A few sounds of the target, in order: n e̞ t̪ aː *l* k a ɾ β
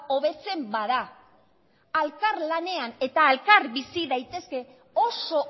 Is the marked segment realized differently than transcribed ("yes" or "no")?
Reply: no